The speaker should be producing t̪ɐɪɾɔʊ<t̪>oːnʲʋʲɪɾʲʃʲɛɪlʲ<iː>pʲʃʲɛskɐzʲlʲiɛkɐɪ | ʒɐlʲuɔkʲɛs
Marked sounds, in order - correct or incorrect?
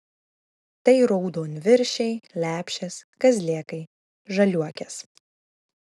incorrect: d̪, incorrect: æː

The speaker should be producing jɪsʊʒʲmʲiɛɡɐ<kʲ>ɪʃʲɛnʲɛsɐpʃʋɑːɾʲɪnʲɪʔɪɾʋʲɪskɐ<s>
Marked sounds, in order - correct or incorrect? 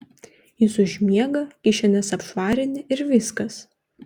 correct, correct

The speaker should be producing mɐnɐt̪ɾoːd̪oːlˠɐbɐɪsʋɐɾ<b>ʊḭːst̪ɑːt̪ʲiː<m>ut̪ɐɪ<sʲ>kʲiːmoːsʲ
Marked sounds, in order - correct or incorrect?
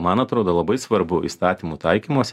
correct, correct, incorrect: none

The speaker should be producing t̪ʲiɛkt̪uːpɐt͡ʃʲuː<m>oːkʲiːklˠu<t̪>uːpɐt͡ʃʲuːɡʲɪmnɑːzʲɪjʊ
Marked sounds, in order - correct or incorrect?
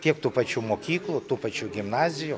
correct, correct

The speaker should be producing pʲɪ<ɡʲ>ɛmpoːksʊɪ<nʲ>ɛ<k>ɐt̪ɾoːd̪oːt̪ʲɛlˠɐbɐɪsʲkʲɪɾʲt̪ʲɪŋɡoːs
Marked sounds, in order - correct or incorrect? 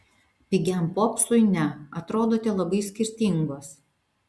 correct, correct, incorrect: none

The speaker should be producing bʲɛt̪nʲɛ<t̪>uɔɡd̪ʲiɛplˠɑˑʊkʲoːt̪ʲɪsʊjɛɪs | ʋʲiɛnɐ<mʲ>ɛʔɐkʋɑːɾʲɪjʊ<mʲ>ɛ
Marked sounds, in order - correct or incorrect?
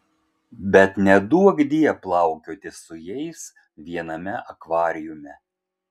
incorrect: d̪, correct, correct

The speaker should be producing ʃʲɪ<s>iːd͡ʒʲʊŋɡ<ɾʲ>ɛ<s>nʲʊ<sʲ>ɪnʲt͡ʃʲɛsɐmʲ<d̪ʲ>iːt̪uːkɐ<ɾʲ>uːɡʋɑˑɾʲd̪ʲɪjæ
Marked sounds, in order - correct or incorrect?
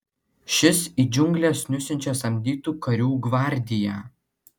correct, incorrect: lʲ, correct, correct, correct, correct

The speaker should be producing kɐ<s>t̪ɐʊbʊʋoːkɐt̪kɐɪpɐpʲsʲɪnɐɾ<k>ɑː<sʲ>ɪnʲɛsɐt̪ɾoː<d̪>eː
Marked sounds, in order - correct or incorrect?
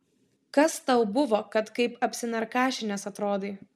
correct, correct, incorrect: ʃʲ, correct

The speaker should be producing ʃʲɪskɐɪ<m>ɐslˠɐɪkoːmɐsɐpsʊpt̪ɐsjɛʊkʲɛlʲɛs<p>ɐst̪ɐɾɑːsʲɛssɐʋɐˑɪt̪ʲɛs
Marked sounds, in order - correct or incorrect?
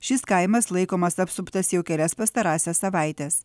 correct, correct

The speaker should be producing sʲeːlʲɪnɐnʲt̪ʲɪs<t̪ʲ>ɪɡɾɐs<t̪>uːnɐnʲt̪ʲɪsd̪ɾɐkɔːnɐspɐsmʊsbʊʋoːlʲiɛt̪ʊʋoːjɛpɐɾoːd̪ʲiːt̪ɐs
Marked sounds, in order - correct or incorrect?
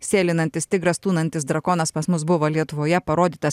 correct, correct

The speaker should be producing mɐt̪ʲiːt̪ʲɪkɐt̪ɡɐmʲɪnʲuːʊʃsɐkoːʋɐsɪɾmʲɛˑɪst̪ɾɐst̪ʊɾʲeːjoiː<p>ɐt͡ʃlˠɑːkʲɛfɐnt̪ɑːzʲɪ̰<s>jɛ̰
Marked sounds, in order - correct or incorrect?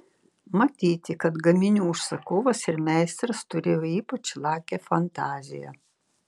correct, incorrect: none

